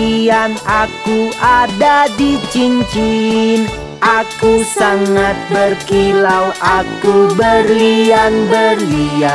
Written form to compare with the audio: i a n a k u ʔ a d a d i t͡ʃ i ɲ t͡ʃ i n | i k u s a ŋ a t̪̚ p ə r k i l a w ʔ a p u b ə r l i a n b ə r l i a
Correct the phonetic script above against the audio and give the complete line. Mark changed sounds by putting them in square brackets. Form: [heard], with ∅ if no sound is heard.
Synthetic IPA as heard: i a n a k u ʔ a d a d i t͡ʃ i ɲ t͡ʃ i n | [a] k u s a ŋ a t̪̚ [b] ə r k i l a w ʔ a [k] u b ə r l i a n b ə r l i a